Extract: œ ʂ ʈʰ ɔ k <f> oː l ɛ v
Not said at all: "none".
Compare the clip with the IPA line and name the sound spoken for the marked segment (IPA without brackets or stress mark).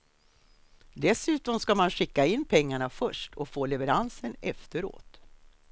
f